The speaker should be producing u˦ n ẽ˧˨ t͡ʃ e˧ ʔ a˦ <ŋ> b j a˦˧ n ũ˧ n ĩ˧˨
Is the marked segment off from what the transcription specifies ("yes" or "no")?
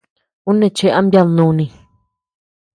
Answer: yes